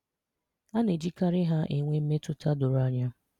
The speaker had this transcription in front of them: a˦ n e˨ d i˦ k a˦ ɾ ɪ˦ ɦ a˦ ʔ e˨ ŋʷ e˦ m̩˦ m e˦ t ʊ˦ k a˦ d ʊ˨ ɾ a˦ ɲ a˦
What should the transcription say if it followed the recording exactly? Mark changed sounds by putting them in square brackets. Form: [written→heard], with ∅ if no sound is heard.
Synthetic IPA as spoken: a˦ n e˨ [d→d͡ʒ] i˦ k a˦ ɾ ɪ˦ ɦ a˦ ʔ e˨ ŋʷ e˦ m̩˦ m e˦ t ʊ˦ [k→t] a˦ d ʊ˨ ɾ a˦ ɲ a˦